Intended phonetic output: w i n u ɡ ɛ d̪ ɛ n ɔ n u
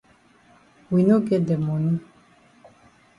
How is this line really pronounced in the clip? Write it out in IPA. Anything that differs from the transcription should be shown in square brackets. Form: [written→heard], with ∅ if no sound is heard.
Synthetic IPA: w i n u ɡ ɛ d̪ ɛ [n→m] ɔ n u